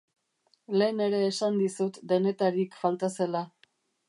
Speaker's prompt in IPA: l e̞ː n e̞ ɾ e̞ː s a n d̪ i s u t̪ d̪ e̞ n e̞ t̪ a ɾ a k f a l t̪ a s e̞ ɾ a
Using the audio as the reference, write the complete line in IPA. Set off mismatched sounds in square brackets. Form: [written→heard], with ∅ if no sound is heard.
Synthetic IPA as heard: l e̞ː n e̞ ɾ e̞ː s a n d̪ i s u t̪ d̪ e̞ n e̞ t̪ a ɾ [a→i] k f a l t̪ a s e̞ [ɾ→l] a